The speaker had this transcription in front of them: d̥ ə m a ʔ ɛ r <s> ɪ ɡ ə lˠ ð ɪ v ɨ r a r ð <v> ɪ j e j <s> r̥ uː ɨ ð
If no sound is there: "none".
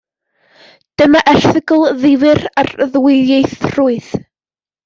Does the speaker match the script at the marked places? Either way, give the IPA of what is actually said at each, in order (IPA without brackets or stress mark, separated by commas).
θ, w, θ